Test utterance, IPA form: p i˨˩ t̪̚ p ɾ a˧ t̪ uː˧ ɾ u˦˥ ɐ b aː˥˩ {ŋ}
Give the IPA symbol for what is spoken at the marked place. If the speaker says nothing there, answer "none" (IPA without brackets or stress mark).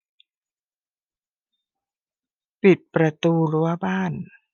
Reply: n